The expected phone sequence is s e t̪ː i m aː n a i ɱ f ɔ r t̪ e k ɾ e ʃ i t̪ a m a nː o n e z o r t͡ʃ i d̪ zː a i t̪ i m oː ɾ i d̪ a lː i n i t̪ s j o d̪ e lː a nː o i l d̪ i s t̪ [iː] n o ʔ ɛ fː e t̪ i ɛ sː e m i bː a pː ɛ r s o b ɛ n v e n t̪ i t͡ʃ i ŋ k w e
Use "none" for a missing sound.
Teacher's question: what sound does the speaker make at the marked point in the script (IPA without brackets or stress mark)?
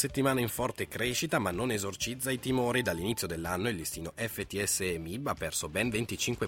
iː